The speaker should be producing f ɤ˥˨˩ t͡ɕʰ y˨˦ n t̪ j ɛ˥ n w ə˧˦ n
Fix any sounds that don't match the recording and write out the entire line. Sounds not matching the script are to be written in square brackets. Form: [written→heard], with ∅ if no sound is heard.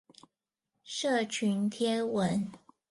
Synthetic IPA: [f→ʂ] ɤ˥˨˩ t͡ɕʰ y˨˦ n [t̪→t̪ʰ] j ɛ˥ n w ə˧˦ n